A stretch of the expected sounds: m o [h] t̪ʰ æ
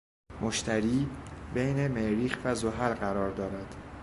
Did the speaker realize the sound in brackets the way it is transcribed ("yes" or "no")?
no